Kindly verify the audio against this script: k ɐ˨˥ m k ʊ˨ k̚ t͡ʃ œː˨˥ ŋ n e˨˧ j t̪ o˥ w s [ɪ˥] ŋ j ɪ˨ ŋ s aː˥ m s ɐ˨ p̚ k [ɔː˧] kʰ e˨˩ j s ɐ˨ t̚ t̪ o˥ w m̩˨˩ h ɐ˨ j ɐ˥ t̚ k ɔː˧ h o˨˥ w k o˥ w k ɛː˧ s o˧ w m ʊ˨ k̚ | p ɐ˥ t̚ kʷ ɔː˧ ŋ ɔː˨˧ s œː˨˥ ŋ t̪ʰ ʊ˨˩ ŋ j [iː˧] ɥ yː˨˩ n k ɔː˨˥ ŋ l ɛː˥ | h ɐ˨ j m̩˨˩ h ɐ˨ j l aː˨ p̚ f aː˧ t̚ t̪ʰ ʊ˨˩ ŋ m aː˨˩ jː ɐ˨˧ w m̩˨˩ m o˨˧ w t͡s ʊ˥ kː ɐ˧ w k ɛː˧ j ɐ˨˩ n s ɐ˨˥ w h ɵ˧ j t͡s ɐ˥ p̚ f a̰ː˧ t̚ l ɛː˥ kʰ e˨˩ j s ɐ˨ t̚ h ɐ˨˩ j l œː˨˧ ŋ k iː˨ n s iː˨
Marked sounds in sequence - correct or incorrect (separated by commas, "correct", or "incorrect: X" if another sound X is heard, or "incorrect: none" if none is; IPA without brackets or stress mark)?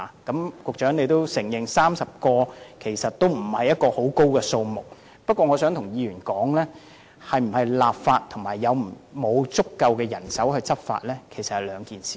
incorrect: ɪ˨˩, correct, correct